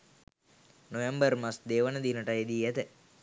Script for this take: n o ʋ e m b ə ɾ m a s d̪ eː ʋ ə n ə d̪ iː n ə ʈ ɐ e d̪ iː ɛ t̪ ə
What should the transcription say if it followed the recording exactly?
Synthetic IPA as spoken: n o ʋ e m b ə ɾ m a s d̪ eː ʋ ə n ə d̪ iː n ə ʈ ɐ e d̪ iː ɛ t̪ ə